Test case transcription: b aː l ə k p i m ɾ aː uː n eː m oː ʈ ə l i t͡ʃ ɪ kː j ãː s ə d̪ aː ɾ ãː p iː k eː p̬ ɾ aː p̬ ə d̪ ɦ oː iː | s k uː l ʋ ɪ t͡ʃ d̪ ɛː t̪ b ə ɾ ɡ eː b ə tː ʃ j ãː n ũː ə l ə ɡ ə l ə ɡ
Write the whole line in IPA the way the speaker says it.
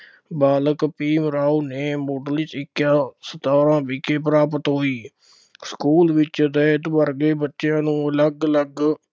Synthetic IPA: b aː l ə k p iː m ɾ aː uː n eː m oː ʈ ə l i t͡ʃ ɪ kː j aː s ə t̪ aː ɾ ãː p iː k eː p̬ ɾ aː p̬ ə t̪ ɦ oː iː | s k uː l ʋ ɪ t͡ʃ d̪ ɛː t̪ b ə ɾ ɡ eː b ə tː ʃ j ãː n ũː ə l ə ɡ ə l ə ɡ